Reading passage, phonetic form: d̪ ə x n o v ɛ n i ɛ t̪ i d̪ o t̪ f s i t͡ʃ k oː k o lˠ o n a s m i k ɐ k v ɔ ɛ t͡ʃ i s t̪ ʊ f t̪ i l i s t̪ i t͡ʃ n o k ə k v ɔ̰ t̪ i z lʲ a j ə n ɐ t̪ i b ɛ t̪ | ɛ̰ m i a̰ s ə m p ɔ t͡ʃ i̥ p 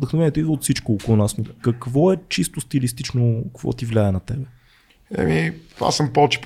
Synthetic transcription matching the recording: d̪ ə x n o v ɛ n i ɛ t̪ i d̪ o t̪ f s i t͡ʃ k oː k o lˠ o n a s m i k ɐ k v ɔ ɛ t͡ʃ i s t̪ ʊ s t̪ i l i s t̪ i t͡ʃ n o k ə k v ɔ̰ t̪ i v lʲ a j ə n ɐ t̪ ɛ b ɛ | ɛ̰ m i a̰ s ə m p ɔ t͡ʃ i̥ p